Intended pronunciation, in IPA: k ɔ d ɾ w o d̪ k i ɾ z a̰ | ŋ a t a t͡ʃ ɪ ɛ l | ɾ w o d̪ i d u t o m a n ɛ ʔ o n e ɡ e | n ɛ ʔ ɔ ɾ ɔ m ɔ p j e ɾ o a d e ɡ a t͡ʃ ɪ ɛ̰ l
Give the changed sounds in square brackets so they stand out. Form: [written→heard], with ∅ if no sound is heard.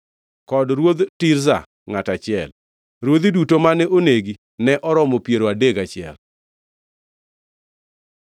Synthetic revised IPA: k ɔ d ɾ w o d̪ [k→t] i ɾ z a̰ | ŋ a t a t͡ʃ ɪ ɛ l | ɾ w o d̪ i d u t o m a n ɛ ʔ o n e ɡ [e→i] | n ɛ ʔ ɔ ɾ ɔ m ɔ p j e ɾ o a d e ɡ a t͡ʃ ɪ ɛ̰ l